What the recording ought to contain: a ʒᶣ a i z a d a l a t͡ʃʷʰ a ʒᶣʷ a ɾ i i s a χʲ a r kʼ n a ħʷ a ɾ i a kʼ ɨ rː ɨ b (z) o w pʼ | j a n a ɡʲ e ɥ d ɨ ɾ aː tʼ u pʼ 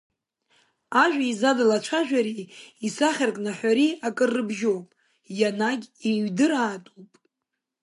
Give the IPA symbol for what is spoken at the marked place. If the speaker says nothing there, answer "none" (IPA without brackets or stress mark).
ʒ